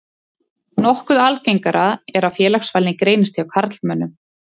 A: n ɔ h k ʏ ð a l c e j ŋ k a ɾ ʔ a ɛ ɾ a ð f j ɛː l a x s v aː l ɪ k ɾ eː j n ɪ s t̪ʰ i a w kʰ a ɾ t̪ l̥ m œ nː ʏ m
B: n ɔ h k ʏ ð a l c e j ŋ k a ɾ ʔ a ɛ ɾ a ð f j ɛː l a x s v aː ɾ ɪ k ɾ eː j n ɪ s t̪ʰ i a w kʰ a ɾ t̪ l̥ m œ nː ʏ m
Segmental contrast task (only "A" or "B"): A